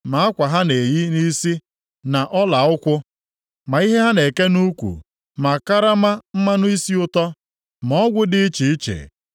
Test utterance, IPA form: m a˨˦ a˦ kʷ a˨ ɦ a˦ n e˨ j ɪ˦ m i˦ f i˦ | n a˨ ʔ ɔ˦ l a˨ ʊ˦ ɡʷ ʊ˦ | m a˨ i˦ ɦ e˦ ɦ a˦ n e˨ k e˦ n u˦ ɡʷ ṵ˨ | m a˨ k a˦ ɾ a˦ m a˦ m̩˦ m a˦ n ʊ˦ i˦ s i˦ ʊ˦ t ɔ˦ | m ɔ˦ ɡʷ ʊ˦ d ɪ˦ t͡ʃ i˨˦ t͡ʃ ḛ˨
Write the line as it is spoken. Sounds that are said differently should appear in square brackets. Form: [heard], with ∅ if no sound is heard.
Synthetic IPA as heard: m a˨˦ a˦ kʷ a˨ ɦ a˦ n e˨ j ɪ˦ [n] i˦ [s] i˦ | n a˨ ʔ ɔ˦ l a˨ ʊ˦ [kʷ] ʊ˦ | m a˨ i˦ ɦ e˦ ɦ a˦ n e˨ k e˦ n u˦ [kʷ] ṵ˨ | m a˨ k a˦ ɾ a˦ m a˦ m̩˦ m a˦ n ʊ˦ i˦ s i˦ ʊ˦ t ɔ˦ | m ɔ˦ ɡʷ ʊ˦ d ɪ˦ t͡ʃ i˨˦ t͡ʃ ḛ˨

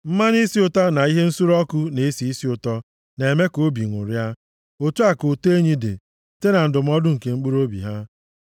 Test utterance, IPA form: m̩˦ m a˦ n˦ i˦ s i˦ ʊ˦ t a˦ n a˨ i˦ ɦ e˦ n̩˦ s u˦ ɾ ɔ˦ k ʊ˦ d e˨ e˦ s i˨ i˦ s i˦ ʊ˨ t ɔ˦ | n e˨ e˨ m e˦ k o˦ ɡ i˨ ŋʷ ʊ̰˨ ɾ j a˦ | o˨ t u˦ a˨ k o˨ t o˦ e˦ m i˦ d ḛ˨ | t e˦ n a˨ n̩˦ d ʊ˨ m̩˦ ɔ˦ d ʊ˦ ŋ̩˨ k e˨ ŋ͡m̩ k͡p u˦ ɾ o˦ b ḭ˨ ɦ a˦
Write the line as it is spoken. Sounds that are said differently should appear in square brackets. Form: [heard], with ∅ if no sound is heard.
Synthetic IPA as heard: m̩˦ m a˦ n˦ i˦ s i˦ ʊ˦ t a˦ n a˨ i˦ ɦ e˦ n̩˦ s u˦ ɾ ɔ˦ k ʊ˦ [n] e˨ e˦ s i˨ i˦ s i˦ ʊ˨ t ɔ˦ | n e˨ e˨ m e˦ k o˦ [b] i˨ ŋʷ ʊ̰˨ ɾ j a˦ | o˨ t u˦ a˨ k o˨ t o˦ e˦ [ɲ] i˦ d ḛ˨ | t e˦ n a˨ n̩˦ d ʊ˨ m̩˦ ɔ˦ d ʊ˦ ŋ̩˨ k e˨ ŋ͡m̩ k͡p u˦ ɾ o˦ b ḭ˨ ɦ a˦

